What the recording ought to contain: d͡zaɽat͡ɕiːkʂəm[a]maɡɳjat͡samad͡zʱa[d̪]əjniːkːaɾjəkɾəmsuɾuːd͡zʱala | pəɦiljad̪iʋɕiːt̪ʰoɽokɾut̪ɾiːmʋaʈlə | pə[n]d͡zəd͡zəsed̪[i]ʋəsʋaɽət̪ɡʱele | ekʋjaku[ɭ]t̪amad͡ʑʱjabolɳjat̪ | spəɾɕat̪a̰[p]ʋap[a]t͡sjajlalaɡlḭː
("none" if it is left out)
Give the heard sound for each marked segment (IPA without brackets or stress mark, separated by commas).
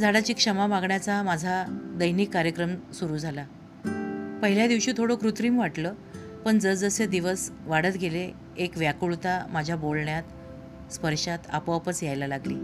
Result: a, d̪, ɳ, i, ɭ, p, ə